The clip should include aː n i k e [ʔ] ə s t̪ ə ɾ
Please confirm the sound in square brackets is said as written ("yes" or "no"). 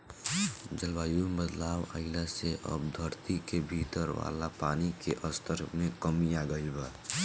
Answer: yes